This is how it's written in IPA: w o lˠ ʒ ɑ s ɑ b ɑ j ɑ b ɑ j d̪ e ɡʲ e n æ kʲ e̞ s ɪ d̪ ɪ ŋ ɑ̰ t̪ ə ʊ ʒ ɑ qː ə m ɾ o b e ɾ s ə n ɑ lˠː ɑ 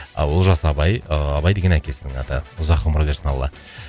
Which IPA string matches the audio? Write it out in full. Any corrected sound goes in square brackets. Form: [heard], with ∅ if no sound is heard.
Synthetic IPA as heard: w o lˠ ʒ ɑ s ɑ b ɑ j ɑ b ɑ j d̪ e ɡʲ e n æ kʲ e̞ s ɪ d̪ ɪ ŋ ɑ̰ t̪ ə ʊ [z] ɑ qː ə m ɾ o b e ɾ s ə n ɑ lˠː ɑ